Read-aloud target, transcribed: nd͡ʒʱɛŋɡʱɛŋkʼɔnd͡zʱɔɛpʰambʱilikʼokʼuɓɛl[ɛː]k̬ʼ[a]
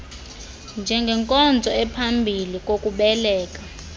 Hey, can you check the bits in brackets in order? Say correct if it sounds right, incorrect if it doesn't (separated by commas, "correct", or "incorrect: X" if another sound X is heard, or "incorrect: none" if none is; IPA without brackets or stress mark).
correct, correct